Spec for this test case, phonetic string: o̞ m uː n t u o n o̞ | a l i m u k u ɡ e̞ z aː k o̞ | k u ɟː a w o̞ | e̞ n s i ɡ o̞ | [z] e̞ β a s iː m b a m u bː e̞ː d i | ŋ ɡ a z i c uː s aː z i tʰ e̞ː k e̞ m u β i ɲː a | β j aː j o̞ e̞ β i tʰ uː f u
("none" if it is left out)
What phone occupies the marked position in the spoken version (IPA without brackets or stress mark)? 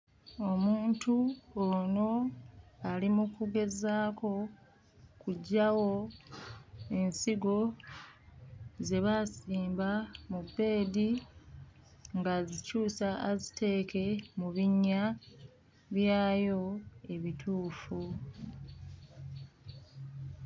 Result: z